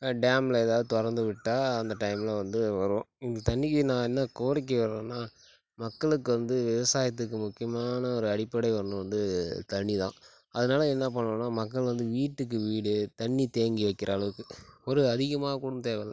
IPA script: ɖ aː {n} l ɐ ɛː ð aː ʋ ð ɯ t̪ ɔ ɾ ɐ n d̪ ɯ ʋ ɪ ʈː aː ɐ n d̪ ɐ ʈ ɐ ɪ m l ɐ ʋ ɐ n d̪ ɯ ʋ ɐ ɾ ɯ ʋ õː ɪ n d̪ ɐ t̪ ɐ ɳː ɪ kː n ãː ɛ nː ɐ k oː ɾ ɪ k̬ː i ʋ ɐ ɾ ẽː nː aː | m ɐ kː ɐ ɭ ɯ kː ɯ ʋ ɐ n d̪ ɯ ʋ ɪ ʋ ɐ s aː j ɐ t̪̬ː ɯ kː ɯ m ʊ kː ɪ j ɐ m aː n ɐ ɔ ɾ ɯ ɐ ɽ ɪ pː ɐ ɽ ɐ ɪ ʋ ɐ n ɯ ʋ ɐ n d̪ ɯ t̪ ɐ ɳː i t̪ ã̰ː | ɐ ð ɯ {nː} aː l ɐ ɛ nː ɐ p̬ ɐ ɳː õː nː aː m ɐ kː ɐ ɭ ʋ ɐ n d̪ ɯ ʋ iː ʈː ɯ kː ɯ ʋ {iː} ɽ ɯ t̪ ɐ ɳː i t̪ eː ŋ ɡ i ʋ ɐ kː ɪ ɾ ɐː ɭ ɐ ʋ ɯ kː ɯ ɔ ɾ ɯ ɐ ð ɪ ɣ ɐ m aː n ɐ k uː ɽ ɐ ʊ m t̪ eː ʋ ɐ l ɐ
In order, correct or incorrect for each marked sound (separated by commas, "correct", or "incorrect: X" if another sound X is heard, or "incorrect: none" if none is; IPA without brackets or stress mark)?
incorrect: m, incorrect: n, correct